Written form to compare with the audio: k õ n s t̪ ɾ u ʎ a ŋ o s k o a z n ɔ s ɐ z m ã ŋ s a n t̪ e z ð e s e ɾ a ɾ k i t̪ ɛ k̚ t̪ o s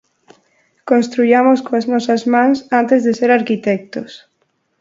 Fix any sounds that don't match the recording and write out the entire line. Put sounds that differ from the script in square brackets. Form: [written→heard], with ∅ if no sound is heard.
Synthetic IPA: k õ n s t̪ ɾ u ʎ a [ŋ→m] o s k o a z n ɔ s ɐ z m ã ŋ s a n t̪ e z ð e s e ɾ a ɾ k i t̪ ɛ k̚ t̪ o s